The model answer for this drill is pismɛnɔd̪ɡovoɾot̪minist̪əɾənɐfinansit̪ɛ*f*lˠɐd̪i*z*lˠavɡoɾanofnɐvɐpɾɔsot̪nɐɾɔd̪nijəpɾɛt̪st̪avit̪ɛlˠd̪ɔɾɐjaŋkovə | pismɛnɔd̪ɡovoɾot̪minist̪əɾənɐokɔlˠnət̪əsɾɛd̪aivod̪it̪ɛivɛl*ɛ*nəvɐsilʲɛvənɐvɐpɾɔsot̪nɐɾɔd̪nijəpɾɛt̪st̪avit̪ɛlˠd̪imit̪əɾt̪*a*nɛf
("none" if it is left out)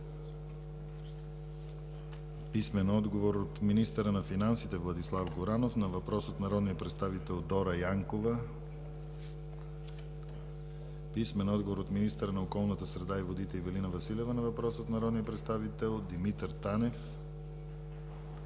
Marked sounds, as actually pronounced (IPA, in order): v, s, i, a

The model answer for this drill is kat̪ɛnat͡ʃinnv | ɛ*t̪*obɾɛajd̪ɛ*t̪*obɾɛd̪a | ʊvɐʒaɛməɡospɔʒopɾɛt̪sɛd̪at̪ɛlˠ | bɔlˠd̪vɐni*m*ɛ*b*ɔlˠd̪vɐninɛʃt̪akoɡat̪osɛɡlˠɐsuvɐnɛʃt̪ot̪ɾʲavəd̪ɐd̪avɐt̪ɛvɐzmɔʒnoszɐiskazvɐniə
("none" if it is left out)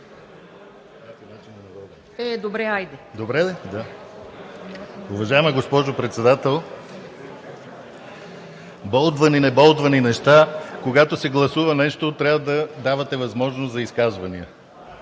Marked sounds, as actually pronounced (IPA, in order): d̪, d̪, n, b

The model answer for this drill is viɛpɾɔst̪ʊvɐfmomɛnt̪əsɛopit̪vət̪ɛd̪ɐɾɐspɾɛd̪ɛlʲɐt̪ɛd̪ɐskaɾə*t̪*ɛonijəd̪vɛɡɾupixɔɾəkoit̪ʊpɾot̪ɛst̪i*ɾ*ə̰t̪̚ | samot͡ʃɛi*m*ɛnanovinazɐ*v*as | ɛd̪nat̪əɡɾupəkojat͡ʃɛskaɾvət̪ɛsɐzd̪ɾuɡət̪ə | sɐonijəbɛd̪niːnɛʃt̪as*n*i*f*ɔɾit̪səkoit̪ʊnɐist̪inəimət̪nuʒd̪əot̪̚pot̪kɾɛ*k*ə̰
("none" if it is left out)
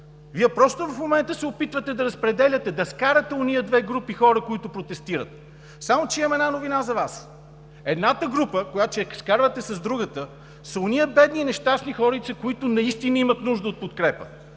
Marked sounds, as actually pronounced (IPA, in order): t̪, ɾ, m, v, n, x, p

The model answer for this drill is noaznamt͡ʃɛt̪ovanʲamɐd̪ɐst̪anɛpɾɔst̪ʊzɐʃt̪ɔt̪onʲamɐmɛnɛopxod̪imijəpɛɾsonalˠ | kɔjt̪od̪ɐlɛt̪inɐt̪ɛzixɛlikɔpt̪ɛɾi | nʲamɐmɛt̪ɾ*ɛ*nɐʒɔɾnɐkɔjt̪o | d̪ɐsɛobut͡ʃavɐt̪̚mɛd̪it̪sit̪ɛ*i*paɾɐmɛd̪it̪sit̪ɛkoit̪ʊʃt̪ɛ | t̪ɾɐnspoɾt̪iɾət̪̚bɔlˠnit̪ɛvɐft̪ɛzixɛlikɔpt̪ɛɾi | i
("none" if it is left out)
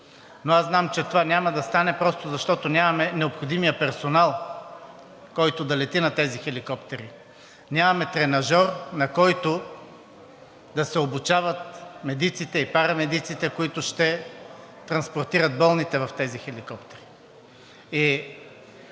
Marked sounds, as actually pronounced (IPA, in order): ɛ, i

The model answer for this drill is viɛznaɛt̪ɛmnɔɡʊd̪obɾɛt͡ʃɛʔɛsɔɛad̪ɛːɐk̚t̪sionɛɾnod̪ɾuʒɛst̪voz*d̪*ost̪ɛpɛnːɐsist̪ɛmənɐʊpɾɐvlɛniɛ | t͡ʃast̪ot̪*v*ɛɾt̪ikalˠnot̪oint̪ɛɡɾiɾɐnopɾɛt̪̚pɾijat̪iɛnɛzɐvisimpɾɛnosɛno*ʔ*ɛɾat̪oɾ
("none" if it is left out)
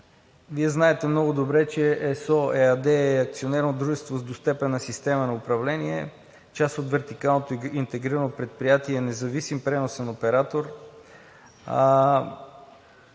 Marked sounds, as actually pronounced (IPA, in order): d̪, v, p

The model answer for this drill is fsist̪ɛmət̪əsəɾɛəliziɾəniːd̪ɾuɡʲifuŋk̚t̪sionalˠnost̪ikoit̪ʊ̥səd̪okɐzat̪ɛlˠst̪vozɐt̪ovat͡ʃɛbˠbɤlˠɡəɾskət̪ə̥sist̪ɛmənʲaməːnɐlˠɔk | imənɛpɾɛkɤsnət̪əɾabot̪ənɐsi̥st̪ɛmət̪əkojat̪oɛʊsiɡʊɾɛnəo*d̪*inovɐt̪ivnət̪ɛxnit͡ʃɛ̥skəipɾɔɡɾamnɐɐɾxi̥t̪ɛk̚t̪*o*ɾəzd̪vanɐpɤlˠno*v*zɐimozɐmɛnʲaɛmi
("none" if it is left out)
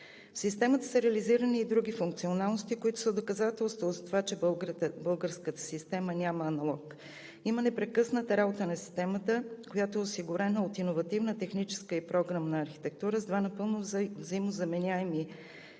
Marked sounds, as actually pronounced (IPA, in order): t̪, u, v

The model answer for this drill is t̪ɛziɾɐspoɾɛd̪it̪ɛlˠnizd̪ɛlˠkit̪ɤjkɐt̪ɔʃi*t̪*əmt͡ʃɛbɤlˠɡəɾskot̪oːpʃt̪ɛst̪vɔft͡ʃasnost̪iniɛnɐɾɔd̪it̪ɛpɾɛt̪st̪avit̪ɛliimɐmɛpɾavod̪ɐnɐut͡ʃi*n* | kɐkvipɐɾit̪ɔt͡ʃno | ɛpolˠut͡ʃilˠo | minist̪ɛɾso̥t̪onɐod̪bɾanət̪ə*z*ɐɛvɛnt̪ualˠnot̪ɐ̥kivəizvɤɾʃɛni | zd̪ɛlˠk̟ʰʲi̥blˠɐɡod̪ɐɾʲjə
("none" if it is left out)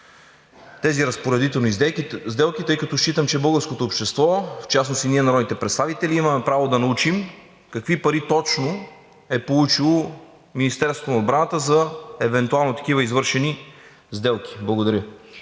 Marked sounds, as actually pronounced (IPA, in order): t̪, m, z

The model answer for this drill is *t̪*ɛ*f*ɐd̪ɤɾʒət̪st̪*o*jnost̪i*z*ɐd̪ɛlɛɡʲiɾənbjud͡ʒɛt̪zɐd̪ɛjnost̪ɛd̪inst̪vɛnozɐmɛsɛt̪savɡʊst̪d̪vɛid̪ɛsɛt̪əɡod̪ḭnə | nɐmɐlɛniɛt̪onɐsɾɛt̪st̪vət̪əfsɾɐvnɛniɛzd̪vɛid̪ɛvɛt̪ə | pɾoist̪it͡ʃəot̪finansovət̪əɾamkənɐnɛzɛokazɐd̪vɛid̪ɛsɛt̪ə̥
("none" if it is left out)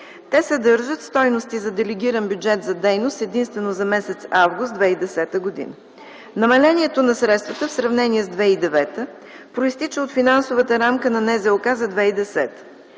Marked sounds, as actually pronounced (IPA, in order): t̪, s, ɔ, z

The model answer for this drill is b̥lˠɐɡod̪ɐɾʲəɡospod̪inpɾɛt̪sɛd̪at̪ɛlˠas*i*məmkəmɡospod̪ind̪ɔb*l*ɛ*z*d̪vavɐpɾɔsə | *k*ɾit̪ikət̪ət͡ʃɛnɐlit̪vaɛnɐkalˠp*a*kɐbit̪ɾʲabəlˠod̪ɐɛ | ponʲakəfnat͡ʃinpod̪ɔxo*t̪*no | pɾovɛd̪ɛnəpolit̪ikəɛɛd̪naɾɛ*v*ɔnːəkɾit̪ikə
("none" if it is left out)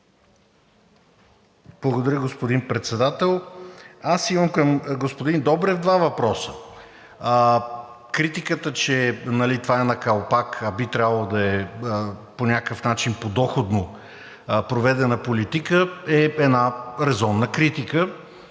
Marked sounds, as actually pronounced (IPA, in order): i, ɾ, v, k, a, d̪, z

